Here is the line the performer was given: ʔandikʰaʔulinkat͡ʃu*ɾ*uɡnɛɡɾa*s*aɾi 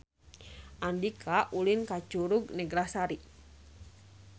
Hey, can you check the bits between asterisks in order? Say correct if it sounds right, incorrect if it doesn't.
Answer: correct, correct

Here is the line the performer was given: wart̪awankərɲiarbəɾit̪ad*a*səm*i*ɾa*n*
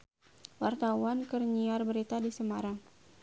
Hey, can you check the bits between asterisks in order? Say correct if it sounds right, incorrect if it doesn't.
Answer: incorrect: i, incorrect: a, incorrect: ŋ

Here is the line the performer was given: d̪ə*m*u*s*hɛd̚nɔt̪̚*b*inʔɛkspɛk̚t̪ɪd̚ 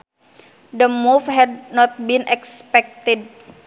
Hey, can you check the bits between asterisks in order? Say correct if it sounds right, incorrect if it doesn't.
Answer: correct, incorrect: f, correct

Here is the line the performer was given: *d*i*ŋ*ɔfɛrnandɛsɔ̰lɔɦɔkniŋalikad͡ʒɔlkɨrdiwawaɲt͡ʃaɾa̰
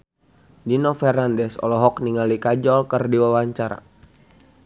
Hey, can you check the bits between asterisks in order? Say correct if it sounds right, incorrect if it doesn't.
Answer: correct, incorrect: n

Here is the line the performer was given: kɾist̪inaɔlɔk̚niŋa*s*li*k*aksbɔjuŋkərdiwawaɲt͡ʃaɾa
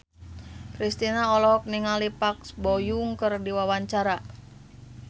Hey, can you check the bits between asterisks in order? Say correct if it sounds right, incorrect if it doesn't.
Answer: incorrect: none, incorrect: p

